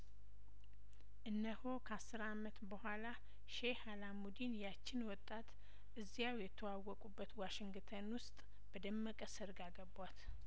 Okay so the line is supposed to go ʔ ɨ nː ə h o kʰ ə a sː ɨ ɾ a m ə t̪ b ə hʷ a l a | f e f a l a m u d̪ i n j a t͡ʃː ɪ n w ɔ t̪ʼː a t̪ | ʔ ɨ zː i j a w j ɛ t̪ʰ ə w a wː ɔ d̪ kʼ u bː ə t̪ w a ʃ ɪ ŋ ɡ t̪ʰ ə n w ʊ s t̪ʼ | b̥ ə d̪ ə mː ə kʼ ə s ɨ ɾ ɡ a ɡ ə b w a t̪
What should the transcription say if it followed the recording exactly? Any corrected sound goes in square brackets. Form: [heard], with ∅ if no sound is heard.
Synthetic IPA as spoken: ʔ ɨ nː ə h o kʰ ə a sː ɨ ɾ a m ə t̪ b ə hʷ a l a | [ʃ] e [h] a l a m u d̪ i n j a t͡ʃː ɪ n w ɔ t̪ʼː a t̪ | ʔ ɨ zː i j a w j ɛ t̪ʰ ə w a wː ɔ [∅] kʼ u bː ə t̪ w a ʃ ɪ ŋ ɡ t̪ʰ ə n w ʊ s t̪ʼ | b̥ ə d̪ ə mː ə kʼ ə s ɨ ɾ ɡ a ɡ ə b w a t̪